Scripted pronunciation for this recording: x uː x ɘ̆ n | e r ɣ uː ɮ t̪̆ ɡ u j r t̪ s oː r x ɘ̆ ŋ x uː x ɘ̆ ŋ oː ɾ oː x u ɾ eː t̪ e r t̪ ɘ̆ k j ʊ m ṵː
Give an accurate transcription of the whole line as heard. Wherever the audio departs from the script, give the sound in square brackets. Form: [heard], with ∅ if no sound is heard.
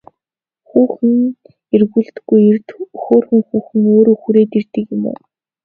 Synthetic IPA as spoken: x uː x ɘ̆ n | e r ɣ uː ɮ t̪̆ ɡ u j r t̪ [x] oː r x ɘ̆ ŋ x uː x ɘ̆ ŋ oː ɾ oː x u ɾ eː t̪ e r t̪ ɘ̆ k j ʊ m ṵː